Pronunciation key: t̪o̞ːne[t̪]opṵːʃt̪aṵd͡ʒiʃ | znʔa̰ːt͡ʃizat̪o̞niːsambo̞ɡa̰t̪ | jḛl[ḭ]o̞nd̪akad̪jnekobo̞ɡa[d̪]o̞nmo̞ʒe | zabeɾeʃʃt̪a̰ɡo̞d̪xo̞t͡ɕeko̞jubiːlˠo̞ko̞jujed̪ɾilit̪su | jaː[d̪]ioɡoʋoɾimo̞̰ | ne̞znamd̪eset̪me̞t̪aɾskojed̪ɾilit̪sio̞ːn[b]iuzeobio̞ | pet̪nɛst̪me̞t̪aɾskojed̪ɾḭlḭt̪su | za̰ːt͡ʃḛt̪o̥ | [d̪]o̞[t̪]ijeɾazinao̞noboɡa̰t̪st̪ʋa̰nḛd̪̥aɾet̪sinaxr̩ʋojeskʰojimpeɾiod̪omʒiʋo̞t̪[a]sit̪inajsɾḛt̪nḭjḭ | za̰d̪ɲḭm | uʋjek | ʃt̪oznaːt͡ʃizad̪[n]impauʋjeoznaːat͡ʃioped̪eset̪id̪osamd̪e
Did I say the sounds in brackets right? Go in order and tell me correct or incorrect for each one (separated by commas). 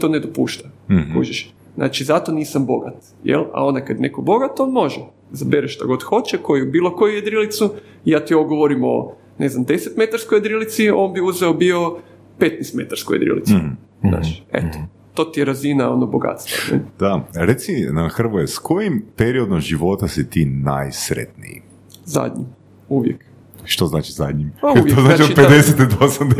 incorrect, incorrect, incorrect, incorrect, correct, incorrect, correct, correct, incorrect